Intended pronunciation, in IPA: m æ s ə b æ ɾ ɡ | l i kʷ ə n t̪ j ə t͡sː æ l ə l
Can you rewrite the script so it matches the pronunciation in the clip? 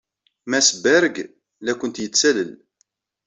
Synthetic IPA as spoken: m æ s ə b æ ɾ ɡ | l æ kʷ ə n t̪ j ə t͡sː æ l ə l